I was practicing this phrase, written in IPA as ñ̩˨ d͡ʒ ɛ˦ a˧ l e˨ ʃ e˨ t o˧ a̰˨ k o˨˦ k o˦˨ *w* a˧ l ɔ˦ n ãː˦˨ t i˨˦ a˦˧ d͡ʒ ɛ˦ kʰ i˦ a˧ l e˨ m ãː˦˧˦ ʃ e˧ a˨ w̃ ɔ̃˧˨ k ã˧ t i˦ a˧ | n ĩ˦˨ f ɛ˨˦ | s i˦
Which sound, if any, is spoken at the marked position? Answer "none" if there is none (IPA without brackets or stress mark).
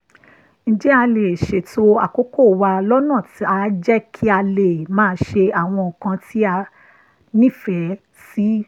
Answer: w